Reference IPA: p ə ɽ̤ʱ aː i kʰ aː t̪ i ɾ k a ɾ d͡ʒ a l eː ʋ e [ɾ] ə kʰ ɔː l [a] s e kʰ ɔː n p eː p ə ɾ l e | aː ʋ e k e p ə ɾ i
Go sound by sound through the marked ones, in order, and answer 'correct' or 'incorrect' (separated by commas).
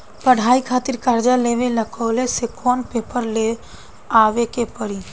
incorrect, incorrect